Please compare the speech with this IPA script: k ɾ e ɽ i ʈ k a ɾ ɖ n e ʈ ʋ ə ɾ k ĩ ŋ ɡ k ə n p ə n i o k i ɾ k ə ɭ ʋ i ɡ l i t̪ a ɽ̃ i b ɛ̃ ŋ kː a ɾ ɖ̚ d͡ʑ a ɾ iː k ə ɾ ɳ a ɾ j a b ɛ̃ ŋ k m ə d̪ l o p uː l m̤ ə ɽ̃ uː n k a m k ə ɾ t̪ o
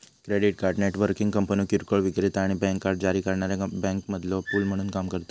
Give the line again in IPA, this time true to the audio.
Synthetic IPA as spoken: k ɾ e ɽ i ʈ k a ɾ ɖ n e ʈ ʋ ə ɾ k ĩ ŋ ɡ k ə m p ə n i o k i ɾ k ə ɭ ʋ i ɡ ɾ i t̪ a ɽ̃ i b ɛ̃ ŋ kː a ɾ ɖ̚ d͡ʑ a ɾ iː k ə ɾ ɳ a ɾ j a b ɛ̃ ŋ k m ə d̪ l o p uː l m̤ ə ɽ̃ uː n k a m k ə ɾ t̪ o